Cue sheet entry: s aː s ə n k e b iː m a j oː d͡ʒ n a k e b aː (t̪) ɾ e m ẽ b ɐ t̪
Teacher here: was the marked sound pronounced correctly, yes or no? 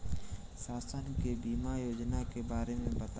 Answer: no